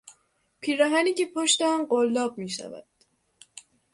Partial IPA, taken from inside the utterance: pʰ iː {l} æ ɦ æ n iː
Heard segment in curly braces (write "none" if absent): ɾ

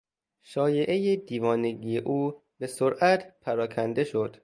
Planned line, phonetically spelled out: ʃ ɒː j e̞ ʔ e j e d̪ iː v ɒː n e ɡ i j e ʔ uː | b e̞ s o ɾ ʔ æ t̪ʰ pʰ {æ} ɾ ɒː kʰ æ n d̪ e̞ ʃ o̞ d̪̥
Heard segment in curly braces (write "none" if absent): æ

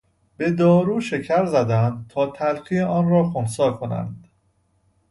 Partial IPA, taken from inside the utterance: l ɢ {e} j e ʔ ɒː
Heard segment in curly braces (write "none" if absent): i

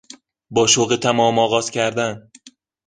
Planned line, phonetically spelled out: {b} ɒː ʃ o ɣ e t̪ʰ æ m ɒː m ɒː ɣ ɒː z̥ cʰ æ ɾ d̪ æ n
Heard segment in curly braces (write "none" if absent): b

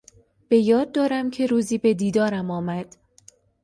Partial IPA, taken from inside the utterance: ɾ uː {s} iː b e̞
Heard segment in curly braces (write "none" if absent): z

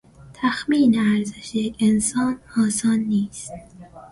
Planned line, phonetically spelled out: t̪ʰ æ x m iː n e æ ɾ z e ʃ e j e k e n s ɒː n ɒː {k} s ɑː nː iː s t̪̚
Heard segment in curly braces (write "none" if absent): none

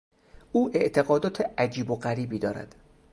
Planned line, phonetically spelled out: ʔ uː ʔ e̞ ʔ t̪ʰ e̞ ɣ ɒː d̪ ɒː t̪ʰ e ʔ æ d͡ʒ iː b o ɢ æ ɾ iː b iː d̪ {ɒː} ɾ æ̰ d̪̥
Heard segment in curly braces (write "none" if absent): ɒː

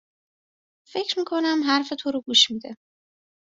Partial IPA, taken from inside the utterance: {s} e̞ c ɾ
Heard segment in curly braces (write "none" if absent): f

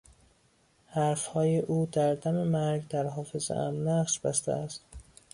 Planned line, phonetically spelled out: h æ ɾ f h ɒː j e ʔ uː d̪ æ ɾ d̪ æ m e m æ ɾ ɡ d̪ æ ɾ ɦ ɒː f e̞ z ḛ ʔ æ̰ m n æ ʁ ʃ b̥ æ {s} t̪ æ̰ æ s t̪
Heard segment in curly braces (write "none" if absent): s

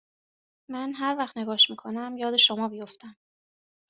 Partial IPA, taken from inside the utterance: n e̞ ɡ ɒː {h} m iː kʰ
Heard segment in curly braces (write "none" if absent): ʃ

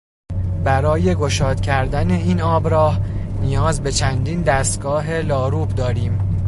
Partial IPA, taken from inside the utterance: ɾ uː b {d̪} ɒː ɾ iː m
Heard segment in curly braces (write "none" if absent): d̪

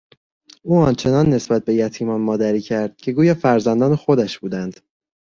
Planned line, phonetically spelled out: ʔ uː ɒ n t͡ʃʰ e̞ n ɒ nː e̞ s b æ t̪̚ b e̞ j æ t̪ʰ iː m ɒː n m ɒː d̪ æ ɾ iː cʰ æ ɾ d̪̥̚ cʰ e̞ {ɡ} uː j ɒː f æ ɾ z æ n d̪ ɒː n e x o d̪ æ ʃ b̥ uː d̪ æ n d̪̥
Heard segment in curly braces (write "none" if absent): ɡ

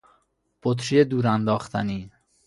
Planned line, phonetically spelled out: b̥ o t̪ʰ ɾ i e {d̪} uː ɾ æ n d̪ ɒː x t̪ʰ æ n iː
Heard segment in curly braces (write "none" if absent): d̪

